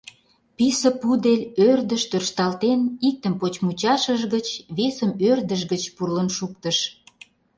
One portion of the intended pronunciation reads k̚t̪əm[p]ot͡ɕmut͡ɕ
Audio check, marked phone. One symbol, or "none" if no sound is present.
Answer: p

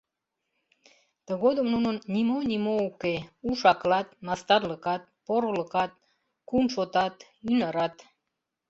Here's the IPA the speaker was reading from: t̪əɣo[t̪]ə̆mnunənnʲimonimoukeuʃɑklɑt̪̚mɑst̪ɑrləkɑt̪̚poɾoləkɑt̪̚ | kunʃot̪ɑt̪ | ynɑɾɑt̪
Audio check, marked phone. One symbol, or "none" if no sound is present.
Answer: d̪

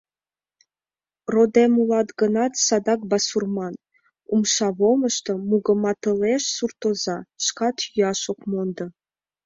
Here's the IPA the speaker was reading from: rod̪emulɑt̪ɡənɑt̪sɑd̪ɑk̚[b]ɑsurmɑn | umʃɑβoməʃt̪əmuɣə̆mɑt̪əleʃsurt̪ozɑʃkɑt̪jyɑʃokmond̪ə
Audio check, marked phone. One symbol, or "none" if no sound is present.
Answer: b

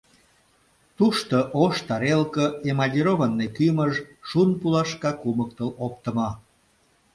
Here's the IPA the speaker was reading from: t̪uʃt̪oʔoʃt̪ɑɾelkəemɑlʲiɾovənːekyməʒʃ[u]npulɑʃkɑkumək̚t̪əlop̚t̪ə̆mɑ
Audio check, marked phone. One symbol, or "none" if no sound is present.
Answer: u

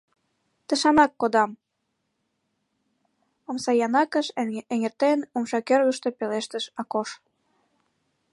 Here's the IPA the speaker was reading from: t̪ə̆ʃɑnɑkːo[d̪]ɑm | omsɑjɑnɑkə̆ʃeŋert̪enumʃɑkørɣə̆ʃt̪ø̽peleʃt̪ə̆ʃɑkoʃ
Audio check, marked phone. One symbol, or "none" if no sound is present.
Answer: d̪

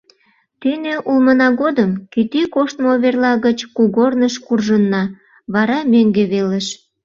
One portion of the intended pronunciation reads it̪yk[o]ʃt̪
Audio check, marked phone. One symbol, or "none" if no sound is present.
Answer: o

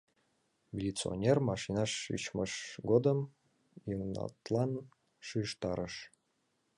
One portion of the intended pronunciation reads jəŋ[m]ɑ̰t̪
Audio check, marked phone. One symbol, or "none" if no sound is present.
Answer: n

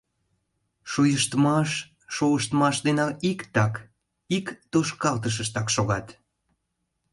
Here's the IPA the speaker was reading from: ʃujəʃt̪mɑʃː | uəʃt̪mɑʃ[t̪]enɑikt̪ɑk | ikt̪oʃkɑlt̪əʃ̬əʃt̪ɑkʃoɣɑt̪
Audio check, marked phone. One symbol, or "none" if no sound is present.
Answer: d̪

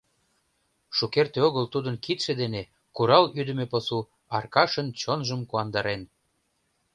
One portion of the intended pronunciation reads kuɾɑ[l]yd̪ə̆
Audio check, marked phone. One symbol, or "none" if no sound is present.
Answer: l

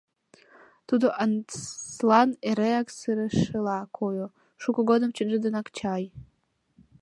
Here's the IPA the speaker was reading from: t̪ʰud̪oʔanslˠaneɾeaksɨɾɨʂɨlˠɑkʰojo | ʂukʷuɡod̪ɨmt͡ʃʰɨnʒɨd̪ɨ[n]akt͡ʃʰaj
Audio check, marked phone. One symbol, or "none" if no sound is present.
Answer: n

